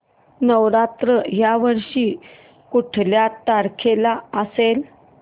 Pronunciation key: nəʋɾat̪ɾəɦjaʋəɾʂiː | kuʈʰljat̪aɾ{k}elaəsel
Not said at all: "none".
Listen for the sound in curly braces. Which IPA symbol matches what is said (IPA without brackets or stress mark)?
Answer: kʰ